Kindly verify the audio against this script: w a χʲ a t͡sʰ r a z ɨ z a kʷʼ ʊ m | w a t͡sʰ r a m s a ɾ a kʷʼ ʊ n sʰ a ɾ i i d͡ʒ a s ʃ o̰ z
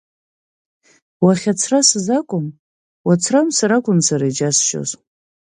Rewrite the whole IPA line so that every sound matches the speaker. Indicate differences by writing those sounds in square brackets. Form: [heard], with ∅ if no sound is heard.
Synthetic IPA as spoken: w a χʲ a t͡sʰ r a [s] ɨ z a kʷʼ ʊ m | w a t͡sʰ r a m s a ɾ a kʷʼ ʊ n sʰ a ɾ [a] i d͡ʒ a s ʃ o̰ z